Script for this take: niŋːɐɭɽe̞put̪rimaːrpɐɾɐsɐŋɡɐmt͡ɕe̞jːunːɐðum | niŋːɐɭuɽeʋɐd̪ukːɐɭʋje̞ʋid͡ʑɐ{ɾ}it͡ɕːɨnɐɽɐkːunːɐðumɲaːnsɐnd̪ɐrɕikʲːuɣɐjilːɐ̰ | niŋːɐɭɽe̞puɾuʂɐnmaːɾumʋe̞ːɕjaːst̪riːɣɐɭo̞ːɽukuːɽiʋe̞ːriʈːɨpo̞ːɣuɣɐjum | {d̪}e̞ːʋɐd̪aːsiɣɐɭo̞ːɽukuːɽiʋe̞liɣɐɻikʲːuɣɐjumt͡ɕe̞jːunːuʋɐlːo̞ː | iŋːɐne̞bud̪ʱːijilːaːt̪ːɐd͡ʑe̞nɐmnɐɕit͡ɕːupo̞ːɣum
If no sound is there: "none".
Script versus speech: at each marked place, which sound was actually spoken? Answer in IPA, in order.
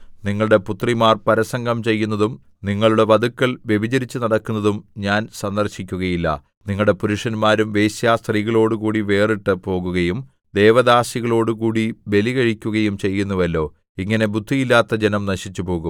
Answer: ɾ, d̪

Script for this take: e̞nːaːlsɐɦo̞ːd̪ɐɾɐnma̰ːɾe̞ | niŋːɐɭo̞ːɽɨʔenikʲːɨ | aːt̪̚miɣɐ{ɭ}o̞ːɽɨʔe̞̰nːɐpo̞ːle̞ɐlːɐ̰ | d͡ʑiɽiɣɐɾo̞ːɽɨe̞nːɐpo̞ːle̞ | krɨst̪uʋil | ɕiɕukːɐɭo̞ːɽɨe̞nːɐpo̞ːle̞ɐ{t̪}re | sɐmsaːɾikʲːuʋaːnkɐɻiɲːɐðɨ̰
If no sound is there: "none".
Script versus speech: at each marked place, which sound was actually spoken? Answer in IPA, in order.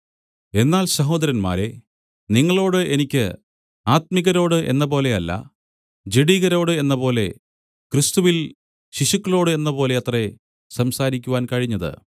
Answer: ɾ, t̪

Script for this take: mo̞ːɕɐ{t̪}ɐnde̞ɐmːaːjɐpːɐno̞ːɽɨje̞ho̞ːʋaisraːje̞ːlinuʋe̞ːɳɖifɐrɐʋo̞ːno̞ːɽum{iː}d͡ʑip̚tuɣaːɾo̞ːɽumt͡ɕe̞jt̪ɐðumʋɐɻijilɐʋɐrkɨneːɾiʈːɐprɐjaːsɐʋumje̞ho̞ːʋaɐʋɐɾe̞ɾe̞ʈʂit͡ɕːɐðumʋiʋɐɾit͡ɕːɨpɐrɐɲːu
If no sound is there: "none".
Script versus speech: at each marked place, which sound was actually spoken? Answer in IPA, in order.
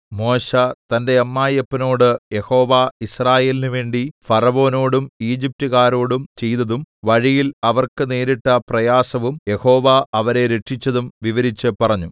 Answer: t̪, iː

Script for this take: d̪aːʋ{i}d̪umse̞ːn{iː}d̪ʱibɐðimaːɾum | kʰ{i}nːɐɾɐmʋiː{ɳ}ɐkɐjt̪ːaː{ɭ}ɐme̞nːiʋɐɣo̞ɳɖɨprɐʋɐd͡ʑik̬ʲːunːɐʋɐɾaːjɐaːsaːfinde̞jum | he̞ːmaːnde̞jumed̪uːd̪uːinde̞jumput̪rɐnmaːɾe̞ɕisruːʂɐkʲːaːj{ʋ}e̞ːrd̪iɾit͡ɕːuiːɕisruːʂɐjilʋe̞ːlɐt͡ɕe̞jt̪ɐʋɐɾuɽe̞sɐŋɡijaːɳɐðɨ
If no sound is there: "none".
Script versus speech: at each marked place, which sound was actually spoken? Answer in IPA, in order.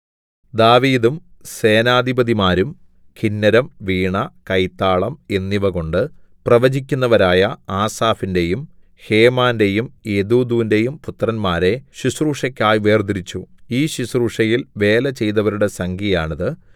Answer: iː, aː, i, ɳ, ɭ, ʋ

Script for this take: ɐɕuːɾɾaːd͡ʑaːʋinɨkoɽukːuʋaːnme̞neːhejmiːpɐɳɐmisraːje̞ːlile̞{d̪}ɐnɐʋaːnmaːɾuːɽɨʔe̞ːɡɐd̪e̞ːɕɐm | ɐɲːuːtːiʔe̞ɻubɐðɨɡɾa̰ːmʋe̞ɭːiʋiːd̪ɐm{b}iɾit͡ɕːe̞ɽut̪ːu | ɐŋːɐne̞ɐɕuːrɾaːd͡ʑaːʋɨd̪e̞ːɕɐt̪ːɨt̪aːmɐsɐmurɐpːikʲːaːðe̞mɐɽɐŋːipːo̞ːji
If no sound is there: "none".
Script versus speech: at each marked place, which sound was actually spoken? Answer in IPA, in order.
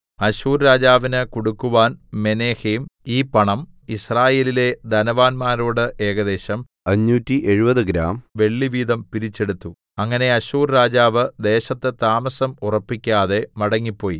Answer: d̪, p

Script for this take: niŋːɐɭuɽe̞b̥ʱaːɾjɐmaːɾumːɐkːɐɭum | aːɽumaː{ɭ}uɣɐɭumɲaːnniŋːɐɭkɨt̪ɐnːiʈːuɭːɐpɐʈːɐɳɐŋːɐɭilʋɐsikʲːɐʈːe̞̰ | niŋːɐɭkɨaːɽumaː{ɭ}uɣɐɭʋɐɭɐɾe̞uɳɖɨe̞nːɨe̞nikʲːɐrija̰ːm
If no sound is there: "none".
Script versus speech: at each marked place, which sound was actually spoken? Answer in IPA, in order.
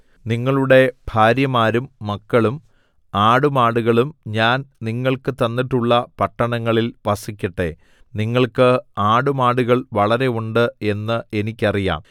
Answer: ɽ, ɽ

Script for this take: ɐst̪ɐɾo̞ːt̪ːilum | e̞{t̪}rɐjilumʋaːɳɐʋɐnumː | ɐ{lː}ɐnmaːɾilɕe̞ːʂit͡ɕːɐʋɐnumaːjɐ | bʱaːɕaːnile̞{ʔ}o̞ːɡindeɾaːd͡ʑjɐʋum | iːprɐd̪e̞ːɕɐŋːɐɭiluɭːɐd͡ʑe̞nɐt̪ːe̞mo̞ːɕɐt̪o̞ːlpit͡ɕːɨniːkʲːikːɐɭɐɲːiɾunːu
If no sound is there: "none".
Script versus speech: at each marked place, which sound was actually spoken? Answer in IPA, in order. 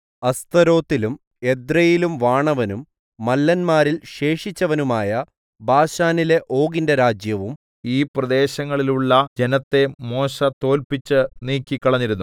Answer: d̪, lː, ʔ

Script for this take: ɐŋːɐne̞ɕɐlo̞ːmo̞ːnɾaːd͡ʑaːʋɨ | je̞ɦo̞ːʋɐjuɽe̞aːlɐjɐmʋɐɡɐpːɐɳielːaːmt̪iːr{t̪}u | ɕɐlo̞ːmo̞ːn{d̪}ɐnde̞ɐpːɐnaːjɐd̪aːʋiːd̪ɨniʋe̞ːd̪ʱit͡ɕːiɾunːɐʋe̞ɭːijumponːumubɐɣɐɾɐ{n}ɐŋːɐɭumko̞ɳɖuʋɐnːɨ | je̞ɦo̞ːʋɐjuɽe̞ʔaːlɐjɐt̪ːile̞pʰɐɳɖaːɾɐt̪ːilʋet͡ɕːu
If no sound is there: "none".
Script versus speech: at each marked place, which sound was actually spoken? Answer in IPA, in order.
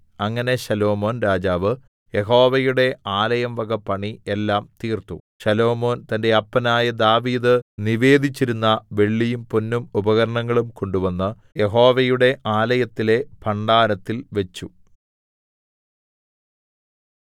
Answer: t̪, t̪, ɳ

